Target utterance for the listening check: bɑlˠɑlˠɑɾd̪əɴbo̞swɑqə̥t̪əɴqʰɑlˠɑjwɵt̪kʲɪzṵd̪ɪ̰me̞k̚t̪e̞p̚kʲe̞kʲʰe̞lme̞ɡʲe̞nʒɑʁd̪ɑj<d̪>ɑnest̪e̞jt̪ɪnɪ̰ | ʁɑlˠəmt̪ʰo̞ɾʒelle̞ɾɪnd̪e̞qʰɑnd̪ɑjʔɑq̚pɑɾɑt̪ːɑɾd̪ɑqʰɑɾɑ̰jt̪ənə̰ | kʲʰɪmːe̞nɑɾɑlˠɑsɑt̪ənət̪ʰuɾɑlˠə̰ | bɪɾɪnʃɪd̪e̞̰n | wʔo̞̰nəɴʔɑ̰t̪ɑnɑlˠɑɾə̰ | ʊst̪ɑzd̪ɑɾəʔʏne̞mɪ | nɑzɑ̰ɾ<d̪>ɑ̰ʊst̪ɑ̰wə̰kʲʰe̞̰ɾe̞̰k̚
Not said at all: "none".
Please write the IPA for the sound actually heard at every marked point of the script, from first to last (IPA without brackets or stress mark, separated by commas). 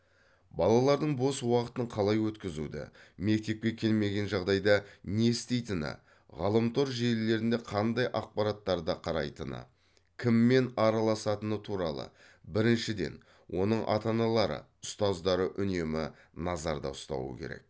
d̪, d̪